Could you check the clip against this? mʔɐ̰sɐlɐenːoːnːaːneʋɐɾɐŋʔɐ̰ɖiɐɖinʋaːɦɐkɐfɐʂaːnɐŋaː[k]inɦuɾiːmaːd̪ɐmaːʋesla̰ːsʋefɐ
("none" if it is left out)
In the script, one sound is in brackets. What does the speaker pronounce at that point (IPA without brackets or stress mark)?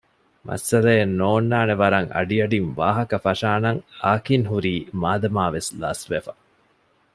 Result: k